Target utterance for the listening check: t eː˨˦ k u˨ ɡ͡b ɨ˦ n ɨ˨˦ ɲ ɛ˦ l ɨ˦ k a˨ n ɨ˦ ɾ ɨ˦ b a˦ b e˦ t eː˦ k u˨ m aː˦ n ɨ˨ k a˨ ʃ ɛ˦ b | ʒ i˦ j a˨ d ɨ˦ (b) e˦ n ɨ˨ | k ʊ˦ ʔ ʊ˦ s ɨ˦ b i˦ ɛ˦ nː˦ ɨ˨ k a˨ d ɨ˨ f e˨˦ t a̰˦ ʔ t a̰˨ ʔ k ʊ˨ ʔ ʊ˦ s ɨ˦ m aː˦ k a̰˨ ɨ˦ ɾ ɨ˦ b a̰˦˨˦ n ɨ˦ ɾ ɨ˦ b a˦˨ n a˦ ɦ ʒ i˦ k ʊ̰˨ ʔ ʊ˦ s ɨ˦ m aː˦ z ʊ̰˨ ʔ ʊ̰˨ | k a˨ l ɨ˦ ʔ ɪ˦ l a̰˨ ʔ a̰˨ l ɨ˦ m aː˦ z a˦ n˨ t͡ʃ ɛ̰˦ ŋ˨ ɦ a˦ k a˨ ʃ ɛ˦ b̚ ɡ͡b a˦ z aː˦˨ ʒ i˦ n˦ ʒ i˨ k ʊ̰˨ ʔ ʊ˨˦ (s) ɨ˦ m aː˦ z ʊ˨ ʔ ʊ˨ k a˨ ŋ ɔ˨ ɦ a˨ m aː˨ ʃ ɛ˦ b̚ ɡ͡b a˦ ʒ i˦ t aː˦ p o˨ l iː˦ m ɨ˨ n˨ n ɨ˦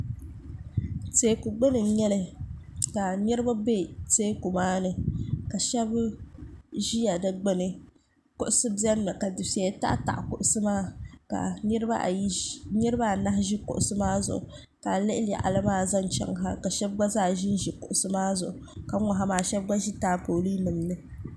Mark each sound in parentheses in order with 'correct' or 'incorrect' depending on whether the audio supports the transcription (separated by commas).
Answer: incorrect, correct